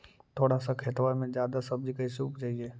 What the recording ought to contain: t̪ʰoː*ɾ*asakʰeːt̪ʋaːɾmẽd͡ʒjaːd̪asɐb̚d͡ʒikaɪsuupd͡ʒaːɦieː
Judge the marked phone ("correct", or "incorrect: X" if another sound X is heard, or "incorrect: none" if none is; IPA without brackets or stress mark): incorrect: ɽ